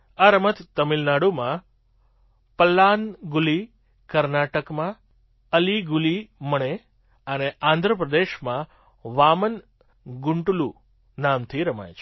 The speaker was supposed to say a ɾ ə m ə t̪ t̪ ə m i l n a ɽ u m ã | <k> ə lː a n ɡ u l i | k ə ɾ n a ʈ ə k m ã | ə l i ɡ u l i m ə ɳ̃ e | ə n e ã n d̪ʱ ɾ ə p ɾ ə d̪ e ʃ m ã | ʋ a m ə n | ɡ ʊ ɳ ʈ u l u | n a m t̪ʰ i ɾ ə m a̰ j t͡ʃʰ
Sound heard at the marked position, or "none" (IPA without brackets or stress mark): p